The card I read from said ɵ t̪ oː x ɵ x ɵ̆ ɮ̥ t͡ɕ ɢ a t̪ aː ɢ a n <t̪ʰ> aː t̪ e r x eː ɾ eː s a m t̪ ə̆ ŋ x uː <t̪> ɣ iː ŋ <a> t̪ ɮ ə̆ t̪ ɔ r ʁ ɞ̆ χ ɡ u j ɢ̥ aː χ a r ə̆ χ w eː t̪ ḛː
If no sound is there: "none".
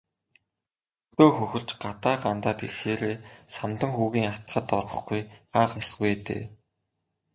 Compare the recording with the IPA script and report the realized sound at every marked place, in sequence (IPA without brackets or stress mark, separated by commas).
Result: t̪, none, a